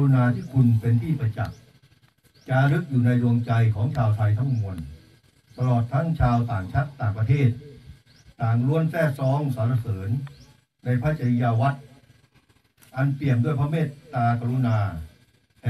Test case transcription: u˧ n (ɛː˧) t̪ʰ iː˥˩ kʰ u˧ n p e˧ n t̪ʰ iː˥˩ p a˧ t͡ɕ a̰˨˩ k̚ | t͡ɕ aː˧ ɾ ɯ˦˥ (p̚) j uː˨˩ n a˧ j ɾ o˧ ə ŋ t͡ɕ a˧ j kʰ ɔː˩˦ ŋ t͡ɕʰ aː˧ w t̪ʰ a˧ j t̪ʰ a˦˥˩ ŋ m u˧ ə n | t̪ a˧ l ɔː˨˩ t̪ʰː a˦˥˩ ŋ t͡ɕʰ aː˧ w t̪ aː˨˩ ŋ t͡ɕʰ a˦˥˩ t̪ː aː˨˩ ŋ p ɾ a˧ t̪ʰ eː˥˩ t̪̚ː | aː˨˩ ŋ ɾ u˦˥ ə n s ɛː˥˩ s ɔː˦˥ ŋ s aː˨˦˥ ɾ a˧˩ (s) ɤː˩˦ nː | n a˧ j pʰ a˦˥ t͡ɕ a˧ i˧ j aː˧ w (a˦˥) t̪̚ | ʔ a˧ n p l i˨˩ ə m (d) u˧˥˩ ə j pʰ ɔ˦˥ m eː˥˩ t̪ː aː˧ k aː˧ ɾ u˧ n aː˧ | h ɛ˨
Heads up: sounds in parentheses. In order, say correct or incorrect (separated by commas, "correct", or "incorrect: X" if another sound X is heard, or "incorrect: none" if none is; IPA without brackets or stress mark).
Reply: incorrect: aː˧, incorrect: k̚, correct, correct, correct